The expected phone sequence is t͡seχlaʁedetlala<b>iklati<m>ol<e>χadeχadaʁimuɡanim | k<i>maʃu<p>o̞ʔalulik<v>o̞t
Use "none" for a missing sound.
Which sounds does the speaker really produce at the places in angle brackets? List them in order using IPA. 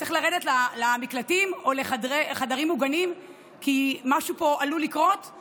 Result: m, m, e, i, p, ʁ

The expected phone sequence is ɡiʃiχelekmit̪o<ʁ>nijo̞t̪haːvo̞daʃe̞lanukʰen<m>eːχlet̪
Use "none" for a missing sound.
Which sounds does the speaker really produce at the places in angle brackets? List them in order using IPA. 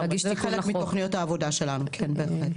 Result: χ, b

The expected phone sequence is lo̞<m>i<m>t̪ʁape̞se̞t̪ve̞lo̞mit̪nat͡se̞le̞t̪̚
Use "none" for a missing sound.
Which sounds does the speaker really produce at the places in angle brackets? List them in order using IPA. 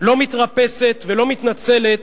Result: m, none

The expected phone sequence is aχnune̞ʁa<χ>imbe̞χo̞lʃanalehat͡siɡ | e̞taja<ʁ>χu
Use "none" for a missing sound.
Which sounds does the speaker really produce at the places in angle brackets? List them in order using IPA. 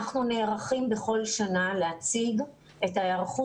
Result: χ, ʁ

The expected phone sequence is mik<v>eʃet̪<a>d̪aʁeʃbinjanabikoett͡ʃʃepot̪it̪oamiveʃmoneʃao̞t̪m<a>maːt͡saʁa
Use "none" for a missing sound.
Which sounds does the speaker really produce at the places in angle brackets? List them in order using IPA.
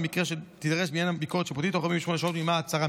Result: ʁ, i, i

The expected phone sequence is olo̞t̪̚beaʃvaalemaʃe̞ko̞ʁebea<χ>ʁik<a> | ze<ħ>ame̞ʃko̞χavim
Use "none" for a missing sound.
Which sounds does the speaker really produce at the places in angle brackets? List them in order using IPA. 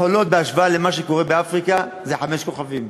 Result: f, a, ħ

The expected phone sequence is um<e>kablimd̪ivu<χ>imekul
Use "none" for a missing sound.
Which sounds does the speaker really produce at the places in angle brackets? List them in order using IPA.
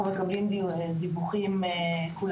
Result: e, χ

